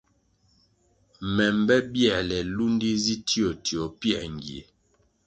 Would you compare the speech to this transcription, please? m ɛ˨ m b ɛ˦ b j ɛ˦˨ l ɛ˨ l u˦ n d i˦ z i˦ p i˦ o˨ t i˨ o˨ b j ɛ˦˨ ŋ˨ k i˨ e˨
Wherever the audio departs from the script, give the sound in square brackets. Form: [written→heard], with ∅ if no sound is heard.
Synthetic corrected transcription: m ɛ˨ m b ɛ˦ b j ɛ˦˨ l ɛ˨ l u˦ n d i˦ z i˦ [p→t] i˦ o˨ t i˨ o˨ [b→p] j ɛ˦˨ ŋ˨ [k→ɡ] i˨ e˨

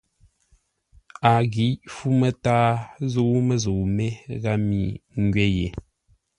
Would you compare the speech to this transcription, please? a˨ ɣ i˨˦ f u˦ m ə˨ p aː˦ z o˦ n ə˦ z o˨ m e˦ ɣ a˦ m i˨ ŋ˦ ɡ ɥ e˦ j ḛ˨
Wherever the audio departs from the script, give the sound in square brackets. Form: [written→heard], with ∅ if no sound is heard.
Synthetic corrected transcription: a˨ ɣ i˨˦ f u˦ m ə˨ [p→t] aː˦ z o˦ [n→m] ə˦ z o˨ m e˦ ɣ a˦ m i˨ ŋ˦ ɡ ɥ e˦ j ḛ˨

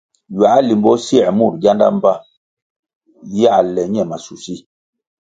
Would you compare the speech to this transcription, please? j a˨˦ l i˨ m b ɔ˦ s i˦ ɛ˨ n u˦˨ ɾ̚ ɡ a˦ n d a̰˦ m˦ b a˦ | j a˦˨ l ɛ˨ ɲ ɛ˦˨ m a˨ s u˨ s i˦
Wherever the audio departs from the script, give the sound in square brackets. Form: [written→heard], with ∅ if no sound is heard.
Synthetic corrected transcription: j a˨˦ l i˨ m b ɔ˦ s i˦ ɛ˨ [n→m] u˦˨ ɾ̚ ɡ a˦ n d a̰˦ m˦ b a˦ | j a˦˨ l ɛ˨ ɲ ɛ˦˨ m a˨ s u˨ s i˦

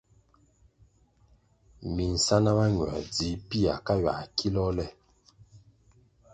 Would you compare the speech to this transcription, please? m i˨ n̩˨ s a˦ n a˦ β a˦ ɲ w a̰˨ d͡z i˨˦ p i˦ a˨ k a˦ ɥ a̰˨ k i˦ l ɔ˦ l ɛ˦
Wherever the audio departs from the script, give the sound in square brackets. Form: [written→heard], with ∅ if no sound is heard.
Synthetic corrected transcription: m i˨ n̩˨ s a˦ n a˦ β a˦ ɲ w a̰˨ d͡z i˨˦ p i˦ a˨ k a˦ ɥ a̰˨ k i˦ l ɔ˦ l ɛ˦

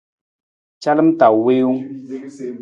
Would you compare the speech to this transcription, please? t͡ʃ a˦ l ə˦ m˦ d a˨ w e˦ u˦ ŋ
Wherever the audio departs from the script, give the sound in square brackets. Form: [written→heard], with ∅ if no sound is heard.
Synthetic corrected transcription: t͡ʃ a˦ l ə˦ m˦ [d→t] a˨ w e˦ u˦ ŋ

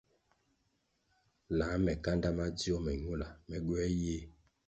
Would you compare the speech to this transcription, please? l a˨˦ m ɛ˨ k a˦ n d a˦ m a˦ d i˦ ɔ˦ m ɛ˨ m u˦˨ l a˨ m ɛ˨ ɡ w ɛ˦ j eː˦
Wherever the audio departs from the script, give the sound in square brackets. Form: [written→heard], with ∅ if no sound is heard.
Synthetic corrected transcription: l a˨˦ m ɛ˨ k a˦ n d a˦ m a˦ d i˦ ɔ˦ m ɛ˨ [m→ɲ] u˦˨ l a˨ m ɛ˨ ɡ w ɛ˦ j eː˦

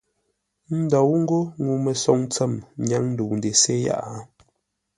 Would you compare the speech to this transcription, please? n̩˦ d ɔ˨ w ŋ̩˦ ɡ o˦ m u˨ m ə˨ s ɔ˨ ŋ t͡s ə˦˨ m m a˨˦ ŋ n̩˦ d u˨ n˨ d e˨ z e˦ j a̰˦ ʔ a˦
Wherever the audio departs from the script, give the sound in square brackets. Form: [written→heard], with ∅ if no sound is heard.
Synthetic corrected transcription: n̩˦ d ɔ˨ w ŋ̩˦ ɡ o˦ [m→ŋ] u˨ m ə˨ s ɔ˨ ŋ t͡s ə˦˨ m [m→ɲ] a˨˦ ŋ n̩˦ d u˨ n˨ d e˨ [z→s] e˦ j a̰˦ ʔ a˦

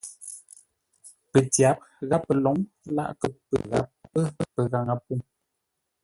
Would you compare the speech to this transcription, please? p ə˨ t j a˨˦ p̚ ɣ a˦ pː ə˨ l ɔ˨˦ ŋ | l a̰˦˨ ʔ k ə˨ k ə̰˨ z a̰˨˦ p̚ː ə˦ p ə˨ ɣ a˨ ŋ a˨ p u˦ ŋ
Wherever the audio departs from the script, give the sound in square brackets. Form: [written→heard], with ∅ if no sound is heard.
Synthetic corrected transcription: p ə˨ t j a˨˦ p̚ ɣ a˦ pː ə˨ l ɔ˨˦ ŋ | l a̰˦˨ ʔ k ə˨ [k→p] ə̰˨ [z→ɣ] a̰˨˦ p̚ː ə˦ p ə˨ ɣ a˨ ŋ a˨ p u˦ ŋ

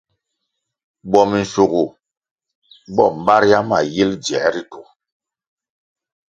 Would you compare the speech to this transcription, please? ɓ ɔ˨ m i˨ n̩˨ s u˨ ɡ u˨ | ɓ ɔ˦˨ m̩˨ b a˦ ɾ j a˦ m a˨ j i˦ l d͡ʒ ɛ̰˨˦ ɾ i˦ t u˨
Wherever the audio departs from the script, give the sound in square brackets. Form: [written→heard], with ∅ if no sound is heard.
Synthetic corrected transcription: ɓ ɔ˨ m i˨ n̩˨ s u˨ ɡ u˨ | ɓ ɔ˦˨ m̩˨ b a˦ ɾ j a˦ m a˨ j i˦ l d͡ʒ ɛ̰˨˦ ɾ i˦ t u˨

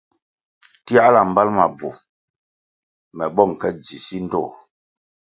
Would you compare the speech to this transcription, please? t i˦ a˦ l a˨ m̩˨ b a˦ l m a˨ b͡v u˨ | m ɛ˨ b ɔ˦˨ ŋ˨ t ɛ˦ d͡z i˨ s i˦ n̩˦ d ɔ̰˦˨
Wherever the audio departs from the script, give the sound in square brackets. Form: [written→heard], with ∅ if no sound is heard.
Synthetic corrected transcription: t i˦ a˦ l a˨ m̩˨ b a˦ l m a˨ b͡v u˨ | m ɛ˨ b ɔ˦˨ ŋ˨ [t→k] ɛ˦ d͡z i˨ s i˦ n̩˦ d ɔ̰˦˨

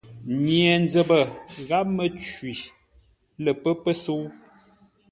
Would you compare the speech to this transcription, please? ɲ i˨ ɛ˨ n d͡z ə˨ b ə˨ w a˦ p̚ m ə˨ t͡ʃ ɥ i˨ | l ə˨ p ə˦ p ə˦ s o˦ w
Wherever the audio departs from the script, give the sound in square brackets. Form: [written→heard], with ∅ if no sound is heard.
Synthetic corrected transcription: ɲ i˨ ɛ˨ n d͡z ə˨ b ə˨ [w→ɣ] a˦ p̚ m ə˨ t͡ʃ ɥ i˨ | l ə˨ p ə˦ p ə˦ s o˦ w

